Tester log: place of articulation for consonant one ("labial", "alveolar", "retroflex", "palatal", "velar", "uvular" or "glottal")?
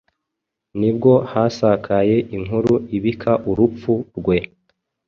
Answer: alveolar